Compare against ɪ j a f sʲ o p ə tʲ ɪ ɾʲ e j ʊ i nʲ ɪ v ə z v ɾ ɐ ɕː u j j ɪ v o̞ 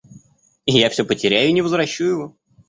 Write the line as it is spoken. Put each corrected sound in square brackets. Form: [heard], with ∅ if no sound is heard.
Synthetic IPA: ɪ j a f sʲ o p ə tʲ ɪ ɾʲ [æ] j ʊ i nʲ ɪ v ə z v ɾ ɐ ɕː u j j ɪ v o̞